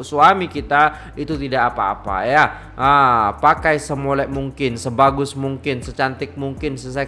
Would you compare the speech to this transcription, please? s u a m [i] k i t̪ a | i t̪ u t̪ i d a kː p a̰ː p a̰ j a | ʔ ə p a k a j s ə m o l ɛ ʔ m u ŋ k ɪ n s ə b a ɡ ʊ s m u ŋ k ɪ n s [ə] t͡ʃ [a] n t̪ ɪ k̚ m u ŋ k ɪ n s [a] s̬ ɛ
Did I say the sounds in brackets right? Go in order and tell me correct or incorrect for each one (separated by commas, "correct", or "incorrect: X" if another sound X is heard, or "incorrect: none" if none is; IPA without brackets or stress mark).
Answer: correct, correct, correct, incorrect: ə